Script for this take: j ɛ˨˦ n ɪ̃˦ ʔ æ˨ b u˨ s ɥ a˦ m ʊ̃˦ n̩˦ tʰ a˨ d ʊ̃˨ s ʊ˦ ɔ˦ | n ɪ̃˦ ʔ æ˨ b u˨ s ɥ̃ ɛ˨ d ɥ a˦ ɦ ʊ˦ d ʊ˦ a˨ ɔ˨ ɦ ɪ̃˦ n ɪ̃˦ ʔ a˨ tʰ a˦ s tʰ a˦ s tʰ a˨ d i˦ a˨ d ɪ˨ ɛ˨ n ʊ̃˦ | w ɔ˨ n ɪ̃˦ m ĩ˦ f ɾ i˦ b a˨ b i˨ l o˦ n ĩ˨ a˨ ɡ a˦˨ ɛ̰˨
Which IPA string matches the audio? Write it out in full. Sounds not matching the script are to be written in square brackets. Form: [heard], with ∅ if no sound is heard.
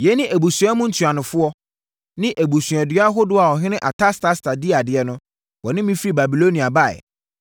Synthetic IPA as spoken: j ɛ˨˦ n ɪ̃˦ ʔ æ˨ b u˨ s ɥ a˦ m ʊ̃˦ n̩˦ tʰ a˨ [n] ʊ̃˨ [f] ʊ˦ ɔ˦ | n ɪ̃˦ ʔ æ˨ b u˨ s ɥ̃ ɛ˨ d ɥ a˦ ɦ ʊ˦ d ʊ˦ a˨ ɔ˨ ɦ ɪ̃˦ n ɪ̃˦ ʔ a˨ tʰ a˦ s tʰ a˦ s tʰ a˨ d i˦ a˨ d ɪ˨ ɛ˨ n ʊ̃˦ | w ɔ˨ n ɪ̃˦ m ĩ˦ f ɾ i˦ b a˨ b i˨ l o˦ n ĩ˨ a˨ [b] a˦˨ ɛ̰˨

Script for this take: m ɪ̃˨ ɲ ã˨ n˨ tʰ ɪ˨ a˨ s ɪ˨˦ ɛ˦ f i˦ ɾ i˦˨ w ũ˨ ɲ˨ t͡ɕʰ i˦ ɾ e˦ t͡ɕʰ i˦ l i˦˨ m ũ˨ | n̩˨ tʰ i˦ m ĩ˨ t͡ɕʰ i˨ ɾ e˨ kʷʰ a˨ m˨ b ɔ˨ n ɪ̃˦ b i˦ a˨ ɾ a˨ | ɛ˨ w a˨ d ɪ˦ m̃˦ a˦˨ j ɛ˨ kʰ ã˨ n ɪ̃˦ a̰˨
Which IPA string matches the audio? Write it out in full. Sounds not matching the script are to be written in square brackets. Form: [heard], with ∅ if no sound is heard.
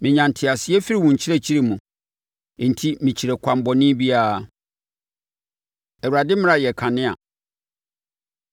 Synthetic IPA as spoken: m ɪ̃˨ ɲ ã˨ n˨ tʰ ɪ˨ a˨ s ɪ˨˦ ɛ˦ f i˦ ɾ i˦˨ w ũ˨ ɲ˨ t͡ɕʰ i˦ ɾ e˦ t͡ɕʰ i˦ [ɾ] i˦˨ m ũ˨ | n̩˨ tʰ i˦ m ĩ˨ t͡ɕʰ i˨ ɾ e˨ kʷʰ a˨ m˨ b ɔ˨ n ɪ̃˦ b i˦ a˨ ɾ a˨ | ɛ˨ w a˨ d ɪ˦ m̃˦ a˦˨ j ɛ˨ kʰ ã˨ n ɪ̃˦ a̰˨

